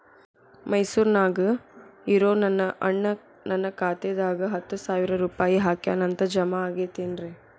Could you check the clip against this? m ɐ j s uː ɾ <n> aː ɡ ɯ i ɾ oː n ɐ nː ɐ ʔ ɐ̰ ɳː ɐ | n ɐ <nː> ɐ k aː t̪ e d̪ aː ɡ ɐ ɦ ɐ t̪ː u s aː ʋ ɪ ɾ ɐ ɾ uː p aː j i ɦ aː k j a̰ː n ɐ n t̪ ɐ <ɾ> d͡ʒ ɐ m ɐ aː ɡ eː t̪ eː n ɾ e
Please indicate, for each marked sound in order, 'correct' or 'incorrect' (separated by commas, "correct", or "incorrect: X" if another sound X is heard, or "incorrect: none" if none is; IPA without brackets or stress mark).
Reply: correct, correct, incorrect: none